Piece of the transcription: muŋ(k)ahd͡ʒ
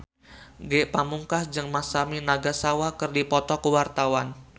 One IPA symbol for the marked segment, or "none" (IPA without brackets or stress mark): k